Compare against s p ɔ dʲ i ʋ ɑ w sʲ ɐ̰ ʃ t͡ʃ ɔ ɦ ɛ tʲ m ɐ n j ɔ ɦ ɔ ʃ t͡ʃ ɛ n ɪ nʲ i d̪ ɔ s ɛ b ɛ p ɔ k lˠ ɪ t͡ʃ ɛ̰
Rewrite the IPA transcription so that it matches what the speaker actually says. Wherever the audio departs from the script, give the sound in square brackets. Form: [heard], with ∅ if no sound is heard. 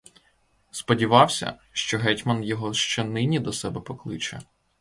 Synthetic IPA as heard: s p ɔ dʲ i ʋ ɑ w sʲ ɐ̰ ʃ t͡ʃ ɔ ɦ ɛ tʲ m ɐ n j ɔ ɦ ɔ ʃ t͡ʃ ɛ n ɪ nʲ i d̪ ɔ s ɛ b ɛ p ɔ k lˠ ɪ t͡ʃ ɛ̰